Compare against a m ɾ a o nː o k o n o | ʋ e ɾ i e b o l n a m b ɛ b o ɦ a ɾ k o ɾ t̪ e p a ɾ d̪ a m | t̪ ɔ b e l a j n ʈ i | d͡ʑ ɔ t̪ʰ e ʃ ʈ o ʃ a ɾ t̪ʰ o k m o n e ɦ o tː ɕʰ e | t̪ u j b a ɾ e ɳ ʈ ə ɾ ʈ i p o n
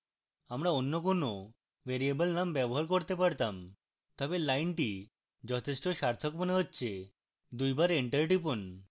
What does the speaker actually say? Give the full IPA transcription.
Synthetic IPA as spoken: a m ɾ a o nː o k o n o | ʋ e ɾ i e b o l n a m b ɛ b o ɦ a ɾ k o ɾ t̪ e p a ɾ t̪ a m | t̪ ɔ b e l a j n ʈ i | d͡ʑ ɔ t̪ʰ e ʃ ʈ o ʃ a ɾ t̪ʰ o k m o n e ɦ o tː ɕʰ e | d̪ u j b a ɾ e ɳ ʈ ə ɾ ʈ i p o n